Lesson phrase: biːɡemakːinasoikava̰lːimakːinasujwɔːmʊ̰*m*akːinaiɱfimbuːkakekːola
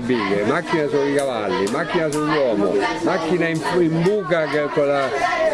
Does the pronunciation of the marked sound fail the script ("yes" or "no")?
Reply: no